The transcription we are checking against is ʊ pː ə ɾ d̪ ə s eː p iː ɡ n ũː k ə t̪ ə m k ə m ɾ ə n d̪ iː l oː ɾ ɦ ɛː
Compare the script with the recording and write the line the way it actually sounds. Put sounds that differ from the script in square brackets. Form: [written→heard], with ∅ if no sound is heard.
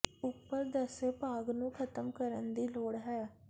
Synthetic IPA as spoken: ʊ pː ə ɾ d̪ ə s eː p [iː→aː] ɡ n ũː [k→kʰ] ə t̪ ə m k ə [m→∅] ɾ ə n d̪ iː l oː [ɾ→ɽ] ɦ ɛː